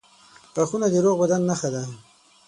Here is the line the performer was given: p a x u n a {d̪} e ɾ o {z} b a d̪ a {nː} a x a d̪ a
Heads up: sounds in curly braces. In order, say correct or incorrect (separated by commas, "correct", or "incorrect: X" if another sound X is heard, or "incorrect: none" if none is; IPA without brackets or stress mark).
correct, incorrect: ɣ, correct